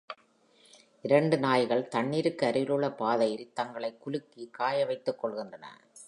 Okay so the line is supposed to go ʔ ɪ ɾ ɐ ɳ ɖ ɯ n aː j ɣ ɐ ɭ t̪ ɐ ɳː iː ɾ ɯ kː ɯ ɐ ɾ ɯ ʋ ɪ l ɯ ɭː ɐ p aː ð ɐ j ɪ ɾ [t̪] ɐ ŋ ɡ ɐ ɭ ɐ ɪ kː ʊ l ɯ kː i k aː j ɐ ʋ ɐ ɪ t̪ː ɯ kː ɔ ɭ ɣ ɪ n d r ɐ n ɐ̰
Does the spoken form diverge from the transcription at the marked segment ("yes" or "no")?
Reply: no